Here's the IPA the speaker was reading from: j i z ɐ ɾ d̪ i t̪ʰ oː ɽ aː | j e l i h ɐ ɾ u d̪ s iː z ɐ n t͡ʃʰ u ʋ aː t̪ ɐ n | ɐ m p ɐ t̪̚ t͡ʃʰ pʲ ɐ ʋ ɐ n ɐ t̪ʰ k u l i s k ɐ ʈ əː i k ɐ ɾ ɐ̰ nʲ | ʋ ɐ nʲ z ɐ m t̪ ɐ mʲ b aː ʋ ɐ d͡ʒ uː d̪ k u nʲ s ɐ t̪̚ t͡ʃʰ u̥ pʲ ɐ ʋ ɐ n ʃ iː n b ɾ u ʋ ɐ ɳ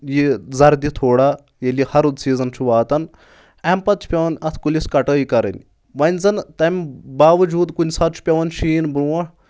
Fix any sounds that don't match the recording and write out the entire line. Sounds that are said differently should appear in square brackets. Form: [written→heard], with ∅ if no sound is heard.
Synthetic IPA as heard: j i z ɐ ɾ d̪ i t̪ʰ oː ɽ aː | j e l i h ɐ ɾ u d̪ s iː z ɐ n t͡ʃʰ u ʋ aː t̪ ɐ n | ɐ m p ɐ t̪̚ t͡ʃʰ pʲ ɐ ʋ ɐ n ɐ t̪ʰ k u l i s k ɐ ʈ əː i k ɐ ɾ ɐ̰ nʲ | ʋ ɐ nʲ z ɐ [m→n] t̪ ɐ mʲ b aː ʋ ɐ d͡ʒ uː d̪ k u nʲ s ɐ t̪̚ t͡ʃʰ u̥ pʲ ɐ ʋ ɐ n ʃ iː n b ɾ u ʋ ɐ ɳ